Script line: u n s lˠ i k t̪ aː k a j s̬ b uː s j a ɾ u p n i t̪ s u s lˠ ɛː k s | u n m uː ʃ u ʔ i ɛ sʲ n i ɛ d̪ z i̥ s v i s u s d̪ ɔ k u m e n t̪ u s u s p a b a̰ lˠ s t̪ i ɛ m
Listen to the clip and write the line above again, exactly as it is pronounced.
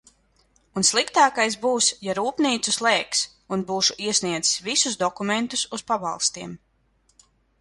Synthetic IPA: u n s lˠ i k t̪ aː k a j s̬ b uː s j a ɾ uː p n iː t̪ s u s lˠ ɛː k s | u n b uː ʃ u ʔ i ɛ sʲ n i ɛ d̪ z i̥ s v i s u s d̪ ɔ k u m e n t̪ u s u s p a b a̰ lˠ s t̪ i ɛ m